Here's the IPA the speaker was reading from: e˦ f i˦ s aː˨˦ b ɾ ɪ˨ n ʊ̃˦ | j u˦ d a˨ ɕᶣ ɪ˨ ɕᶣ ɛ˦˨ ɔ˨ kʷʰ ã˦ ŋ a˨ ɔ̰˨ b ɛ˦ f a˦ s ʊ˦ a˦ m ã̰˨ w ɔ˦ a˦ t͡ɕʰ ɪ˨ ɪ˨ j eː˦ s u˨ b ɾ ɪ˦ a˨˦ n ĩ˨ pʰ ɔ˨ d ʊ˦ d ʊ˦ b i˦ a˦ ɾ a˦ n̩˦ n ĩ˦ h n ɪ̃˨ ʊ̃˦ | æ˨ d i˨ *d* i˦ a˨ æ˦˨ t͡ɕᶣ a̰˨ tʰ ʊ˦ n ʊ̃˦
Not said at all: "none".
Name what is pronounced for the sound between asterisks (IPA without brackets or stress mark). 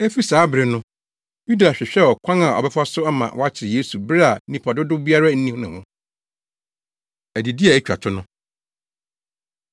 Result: d